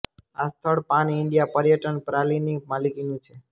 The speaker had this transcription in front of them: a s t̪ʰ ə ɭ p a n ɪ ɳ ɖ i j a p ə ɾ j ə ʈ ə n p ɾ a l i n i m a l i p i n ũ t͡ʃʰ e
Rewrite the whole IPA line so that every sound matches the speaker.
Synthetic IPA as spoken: a s t̪ʰ ə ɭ p a n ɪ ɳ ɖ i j a p ə ɾ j ə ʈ ə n p ɾ a l i n i m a l i k i n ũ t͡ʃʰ e